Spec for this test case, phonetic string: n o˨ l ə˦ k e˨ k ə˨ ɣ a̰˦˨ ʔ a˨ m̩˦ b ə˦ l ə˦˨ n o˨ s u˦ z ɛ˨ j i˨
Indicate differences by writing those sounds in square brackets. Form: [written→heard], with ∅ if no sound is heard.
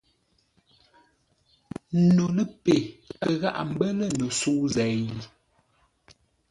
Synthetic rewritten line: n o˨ l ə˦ [k→p] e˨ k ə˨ ɣ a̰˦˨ ʔ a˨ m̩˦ b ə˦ l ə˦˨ n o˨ s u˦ z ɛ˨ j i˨